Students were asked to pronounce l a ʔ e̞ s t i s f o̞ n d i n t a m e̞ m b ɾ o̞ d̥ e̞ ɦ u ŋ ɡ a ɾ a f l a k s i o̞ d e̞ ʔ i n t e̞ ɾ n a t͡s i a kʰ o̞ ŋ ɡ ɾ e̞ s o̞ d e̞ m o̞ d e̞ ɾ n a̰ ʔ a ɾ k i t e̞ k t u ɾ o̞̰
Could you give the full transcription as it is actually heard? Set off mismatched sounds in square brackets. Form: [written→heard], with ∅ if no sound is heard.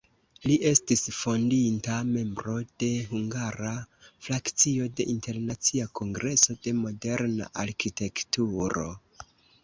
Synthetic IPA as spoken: l [a→i] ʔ e̞ s t i s f o̞ n d i n t a m e̞ m b ɾ o̞ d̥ e̞ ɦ u ŋ ɡ a ɾ a f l a k [s→t͡s] i o̞ d e̞ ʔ i n t e̞ ɾ n a t͡s i a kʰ o̞ ŋ ɡ ɾ e̞ s o̞ d e̞ m o̞ d e̞ ɾ n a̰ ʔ a ɾ k i t e̞ k t u ɾ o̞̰